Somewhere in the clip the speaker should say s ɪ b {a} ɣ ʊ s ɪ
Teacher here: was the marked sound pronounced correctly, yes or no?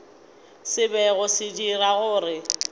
no